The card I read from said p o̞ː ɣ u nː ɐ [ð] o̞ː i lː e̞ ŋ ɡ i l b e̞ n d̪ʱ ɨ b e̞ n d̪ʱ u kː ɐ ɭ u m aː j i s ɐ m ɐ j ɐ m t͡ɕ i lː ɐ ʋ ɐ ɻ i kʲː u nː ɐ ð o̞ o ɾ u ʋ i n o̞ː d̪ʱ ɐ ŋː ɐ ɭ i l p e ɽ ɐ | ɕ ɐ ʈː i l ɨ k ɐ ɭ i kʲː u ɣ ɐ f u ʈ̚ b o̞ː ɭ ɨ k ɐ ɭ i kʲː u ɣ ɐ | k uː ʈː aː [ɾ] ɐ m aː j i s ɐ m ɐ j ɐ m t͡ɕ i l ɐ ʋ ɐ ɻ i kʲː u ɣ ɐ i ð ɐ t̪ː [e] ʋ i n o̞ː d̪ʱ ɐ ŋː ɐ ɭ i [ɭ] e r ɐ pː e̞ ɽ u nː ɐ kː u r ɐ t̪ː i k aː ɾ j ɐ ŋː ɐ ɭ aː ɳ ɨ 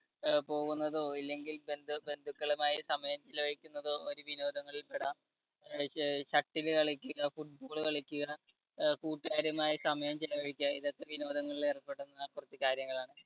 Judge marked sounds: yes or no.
yes, yes, yes, no

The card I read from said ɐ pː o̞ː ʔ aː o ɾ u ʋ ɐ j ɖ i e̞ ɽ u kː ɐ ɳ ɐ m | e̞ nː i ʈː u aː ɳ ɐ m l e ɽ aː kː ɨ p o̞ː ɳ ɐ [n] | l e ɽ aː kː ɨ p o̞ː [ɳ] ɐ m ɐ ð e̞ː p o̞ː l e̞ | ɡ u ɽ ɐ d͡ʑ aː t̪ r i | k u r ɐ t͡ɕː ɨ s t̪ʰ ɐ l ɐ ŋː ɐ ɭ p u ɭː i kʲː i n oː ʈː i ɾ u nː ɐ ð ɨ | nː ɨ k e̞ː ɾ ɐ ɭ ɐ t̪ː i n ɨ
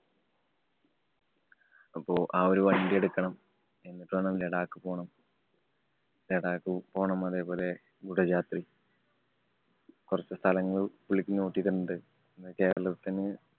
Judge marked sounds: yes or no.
no, yes

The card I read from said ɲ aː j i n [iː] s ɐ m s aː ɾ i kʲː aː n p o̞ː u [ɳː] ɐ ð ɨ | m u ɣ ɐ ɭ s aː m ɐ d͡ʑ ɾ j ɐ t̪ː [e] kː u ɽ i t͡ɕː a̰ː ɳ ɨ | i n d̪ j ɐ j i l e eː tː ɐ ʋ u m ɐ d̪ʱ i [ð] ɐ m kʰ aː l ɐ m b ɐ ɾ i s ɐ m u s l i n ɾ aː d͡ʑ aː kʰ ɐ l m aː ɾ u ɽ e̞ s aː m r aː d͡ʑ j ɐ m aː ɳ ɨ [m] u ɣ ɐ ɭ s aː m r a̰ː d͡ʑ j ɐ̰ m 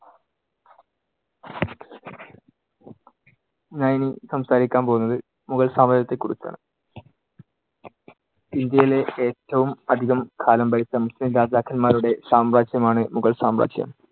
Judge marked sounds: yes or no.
no, no, yes, no, yes

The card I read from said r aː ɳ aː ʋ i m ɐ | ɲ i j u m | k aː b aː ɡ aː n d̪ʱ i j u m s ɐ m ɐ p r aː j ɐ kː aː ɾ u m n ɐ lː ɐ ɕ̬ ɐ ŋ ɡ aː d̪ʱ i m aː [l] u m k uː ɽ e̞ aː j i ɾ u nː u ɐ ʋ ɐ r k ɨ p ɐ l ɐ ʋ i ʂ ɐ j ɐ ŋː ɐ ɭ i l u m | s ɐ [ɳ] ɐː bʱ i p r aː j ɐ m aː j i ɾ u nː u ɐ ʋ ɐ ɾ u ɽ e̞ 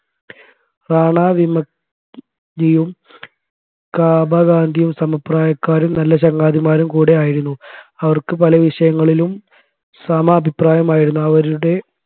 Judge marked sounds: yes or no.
no, no

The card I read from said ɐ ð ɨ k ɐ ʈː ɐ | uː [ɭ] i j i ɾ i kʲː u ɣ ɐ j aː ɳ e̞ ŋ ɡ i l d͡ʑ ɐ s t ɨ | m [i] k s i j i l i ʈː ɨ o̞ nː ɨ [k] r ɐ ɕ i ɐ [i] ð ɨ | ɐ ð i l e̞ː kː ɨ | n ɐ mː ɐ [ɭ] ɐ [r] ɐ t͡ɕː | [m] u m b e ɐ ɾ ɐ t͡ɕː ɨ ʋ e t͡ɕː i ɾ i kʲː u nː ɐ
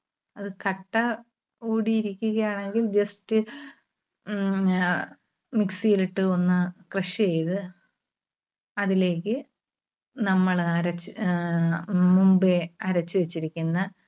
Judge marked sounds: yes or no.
no, yes, yes, no, yes, no, yes

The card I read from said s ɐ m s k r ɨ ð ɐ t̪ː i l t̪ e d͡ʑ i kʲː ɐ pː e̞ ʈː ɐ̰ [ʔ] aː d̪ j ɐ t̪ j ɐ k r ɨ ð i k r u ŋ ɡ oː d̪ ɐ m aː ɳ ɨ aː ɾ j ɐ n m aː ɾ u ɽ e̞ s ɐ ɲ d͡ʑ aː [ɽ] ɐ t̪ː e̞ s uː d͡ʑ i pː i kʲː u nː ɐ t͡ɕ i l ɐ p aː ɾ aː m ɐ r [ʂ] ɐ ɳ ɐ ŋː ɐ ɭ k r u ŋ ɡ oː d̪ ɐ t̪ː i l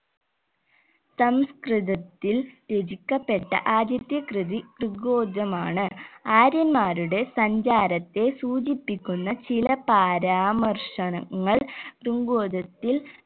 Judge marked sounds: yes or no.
yes, no, yes

